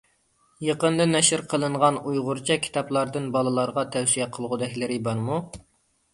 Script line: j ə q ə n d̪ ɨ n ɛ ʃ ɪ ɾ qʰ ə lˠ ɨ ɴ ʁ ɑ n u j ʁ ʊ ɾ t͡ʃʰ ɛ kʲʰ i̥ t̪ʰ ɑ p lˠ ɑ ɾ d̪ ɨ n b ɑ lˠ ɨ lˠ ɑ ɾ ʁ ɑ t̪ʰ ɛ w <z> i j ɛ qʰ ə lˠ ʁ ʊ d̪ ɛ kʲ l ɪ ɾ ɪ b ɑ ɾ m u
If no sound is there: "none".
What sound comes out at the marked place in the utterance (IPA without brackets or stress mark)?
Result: s